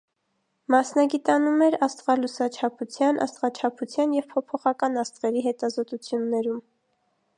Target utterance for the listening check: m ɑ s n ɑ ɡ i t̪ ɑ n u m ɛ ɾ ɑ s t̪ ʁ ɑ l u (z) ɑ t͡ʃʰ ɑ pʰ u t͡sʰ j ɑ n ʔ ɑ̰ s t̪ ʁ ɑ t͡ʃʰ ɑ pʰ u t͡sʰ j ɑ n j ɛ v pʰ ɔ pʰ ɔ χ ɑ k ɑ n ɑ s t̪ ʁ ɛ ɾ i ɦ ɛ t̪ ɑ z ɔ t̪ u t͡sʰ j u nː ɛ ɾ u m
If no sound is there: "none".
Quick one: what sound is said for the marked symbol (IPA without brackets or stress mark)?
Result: s